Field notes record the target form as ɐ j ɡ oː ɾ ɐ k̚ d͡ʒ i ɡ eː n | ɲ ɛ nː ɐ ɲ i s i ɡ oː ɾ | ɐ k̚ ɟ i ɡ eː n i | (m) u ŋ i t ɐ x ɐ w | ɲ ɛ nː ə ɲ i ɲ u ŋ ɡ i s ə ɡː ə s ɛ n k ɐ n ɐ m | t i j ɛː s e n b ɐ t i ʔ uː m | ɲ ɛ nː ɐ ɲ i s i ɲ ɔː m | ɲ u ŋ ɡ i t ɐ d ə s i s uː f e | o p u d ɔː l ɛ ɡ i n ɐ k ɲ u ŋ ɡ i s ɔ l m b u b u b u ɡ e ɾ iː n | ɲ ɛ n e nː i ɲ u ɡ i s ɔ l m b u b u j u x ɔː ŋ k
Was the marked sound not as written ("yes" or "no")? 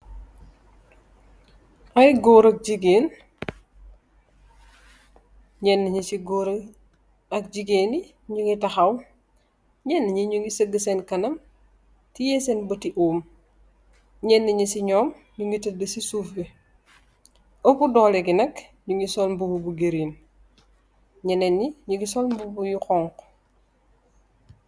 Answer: yes